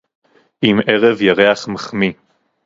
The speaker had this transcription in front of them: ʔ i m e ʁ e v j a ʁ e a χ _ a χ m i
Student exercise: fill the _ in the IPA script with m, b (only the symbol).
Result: m